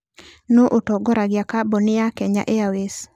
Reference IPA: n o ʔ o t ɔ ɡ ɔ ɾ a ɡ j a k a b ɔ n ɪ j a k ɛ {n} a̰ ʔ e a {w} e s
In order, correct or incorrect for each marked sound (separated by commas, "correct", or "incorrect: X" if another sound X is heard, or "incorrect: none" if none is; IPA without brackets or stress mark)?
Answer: incorrect: ɲ, correct